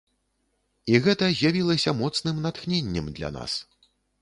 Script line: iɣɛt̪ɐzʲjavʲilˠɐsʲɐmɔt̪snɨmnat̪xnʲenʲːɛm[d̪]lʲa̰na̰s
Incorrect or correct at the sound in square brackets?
correct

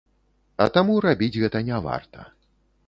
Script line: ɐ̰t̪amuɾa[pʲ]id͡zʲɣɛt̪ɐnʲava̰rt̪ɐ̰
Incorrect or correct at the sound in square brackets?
incorrect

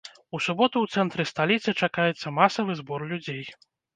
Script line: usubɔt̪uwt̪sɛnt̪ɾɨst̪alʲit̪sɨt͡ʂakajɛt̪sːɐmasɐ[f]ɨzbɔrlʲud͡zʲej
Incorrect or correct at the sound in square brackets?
incorrect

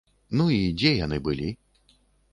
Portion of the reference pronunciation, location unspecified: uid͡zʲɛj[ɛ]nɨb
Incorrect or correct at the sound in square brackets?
incorrect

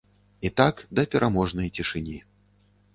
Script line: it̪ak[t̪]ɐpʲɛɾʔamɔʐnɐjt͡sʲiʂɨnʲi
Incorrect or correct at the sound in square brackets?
incorrect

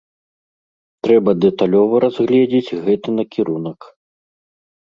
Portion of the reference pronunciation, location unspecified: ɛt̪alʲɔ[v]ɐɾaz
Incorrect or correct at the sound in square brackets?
correct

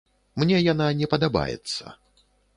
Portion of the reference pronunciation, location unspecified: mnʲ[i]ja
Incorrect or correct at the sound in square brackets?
incorrect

